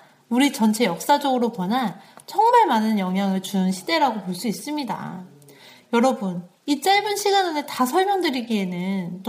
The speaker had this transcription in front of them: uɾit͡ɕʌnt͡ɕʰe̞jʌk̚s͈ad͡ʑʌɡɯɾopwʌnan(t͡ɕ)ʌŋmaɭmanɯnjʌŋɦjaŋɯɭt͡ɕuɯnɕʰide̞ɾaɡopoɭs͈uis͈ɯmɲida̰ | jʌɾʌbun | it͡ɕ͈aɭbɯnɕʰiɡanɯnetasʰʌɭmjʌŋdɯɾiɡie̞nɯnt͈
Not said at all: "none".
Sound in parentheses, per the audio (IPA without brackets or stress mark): t͡ɕʰ